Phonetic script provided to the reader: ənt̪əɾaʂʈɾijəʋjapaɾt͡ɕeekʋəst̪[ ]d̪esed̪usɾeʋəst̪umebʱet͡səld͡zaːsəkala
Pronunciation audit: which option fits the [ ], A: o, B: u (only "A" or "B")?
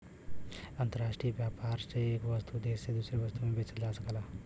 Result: B